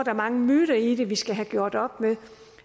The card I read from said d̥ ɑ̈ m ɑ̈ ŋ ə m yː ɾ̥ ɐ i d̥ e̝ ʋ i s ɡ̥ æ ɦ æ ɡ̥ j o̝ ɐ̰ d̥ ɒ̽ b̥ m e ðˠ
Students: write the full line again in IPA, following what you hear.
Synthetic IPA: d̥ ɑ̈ m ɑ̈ ŋ ə m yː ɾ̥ ɐ i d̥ e̝ ʋ i s ɡ̥ æ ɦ æ ɡ̥ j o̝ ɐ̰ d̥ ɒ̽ b̥ m e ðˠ